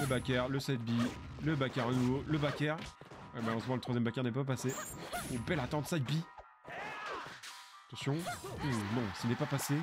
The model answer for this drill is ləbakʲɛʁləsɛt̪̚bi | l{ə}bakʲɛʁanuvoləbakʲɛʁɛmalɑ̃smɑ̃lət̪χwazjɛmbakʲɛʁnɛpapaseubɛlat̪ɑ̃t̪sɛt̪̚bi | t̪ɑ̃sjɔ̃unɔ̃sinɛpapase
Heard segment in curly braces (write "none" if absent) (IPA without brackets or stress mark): ə